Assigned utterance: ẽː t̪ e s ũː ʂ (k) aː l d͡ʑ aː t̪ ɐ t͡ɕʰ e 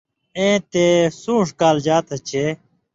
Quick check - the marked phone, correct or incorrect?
correct